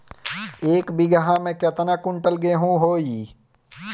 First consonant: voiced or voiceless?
voiceless